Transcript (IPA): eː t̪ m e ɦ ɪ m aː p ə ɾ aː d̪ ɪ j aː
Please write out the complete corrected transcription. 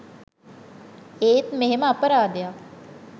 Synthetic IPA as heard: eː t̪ m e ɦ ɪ m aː p ə ɾ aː d̪ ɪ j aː